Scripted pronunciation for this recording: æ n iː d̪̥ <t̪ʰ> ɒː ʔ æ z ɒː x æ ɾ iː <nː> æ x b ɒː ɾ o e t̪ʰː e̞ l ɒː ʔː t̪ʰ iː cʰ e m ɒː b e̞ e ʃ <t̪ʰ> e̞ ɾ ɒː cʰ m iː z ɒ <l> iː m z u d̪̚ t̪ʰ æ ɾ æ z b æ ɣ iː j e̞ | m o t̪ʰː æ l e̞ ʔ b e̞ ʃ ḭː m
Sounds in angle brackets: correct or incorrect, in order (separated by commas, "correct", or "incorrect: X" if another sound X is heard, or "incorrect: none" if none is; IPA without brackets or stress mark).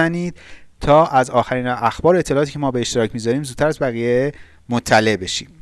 correct, incorrect: n, incorrect: t̪, incorrect: ɾ